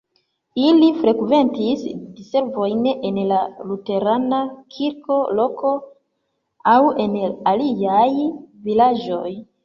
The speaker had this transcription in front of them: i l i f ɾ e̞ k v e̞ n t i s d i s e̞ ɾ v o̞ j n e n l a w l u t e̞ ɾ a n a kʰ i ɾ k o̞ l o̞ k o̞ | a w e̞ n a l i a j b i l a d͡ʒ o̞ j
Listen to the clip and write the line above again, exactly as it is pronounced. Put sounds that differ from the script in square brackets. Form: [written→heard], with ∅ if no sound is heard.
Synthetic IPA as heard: i l i f ɾ e̞ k v e̞ n t i s d i s e̞ ɾ v o̞ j n e n l a [w→∅] l u t e̞ ɾ a n a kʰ i ɾ k o̞ l o̞ k o̞ | a w e̞ n a l i a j [b→v] i l a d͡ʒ o̞ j